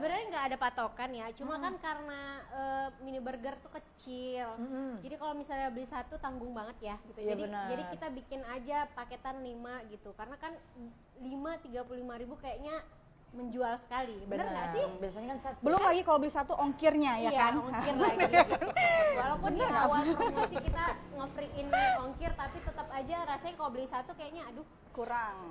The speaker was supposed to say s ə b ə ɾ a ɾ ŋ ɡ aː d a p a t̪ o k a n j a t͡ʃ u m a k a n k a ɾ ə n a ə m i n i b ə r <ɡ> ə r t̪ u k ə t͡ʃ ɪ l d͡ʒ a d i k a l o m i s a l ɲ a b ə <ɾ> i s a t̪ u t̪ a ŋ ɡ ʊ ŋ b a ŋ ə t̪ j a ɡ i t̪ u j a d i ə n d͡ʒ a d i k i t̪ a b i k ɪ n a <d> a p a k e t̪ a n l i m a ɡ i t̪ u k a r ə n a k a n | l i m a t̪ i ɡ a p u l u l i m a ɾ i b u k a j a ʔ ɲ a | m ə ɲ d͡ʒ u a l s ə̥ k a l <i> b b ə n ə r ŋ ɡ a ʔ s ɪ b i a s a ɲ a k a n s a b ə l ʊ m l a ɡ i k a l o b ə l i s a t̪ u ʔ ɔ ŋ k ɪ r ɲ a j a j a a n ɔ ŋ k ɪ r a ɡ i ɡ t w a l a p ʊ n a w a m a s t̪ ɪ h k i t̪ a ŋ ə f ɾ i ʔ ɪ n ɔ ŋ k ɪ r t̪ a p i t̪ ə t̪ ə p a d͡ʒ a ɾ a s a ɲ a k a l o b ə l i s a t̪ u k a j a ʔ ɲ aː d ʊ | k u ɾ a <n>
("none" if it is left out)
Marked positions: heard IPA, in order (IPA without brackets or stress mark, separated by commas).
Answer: ɡ, l, d͡ʒ, i, ŋ